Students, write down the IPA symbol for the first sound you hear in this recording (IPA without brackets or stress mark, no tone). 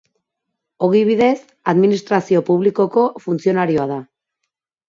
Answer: o̞